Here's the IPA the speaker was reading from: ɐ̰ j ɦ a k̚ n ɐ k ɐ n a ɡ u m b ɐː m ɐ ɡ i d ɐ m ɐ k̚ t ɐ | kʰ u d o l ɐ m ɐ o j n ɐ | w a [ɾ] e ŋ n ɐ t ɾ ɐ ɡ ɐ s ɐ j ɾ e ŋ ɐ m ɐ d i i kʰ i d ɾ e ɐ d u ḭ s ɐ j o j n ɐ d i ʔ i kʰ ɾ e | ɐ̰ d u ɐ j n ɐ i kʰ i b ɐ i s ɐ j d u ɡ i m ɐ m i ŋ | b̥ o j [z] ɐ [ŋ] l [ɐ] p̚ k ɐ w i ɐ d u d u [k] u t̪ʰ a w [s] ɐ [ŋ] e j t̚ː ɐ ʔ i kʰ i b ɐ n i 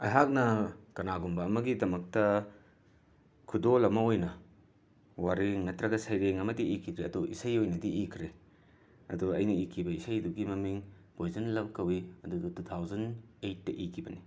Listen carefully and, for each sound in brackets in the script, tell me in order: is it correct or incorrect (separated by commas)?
correct, correct, incorrect, correct, incorrect, incorrect, incorrect